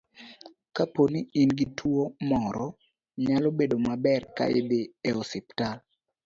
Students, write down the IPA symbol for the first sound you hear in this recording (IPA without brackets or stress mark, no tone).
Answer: k